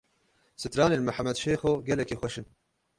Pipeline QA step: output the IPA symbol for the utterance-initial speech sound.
s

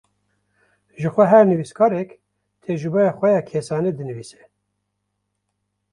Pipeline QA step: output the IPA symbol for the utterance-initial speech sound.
ʒ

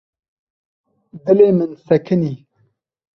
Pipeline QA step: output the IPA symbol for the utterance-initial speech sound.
d̪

